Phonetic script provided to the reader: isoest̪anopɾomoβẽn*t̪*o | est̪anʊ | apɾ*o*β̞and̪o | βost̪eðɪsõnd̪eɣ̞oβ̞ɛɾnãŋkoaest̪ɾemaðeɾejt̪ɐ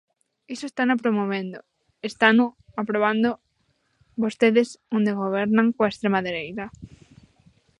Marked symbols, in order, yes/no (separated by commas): no, yes